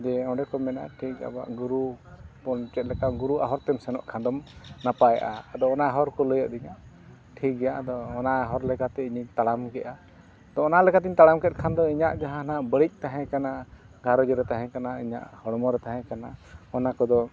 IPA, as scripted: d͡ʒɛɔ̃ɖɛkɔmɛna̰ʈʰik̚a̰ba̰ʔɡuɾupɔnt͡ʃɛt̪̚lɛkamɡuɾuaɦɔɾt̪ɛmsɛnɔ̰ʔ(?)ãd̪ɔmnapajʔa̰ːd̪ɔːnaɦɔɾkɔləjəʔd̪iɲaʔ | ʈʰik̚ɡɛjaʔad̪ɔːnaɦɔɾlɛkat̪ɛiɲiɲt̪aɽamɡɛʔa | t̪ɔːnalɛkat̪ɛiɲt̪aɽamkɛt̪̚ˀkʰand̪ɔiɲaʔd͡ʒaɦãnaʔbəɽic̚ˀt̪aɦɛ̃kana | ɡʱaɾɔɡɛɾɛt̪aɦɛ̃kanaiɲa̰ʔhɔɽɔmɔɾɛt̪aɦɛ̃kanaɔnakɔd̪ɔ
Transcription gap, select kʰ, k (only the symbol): kʰ